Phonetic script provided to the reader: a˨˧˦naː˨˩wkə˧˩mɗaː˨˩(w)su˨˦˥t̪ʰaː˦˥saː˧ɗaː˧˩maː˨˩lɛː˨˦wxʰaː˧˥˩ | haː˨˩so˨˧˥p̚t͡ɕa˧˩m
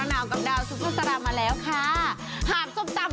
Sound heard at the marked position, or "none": w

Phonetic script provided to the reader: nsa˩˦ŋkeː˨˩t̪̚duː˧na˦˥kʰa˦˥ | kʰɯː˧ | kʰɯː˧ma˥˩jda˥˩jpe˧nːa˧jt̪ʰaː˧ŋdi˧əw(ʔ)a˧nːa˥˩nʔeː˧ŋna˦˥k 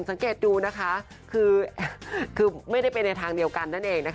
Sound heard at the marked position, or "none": k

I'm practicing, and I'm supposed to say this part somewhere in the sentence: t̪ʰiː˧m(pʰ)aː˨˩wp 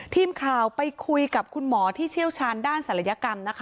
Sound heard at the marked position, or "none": kʰ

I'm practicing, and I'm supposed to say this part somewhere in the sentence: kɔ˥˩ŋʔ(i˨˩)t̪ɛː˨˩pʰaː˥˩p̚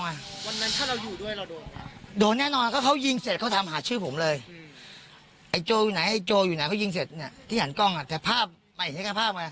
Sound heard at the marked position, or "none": a˨˩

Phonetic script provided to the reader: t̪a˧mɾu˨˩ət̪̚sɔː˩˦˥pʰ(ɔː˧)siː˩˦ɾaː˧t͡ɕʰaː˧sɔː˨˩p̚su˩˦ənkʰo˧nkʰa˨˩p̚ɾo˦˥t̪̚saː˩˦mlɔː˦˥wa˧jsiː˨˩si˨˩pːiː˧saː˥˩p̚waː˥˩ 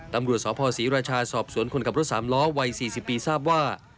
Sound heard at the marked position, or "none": ɔː˧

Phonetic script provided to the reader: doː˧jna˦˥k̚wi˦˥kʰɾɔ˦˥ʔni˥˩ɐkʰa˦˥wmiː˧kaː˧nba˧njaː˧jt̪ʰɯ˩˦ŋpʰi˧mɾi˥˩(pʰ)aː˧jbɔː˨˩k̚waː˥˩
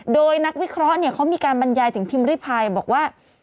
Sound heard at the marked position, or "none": pʰ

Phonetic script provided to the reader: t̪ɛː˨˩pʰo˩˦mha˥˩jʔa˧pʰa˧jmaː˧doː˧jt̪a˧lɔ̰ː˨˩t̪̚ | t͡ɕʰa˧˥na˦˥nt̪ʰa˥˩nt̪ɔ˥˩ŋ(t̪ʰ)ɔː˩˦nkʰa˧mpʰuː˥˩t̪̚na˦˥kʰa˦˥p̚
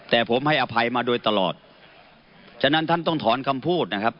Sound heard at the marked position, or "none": t̪ʰ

